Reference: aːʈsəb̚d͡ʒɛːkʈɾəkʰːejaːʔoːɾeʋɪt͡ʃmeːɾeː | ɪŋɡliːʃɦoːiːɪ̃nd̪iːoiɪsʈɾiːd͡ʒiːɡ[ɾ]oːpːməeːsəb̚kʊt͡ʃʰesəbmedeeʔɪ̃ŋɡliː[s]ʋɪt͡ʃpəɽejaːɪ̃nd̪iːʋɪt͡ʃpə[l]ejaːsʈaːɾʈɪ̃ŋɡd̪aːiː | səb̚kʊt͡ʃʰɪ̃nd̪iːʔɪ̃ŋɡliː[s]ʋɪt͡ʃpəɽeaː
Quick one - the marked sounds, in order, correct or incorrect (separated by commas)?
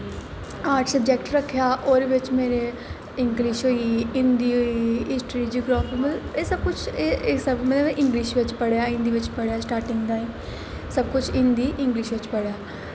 correct, incorrect, incorrect, incorrect